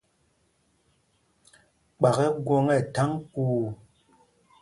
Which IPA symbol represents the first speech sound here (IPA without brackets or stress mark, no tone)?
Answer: k͡p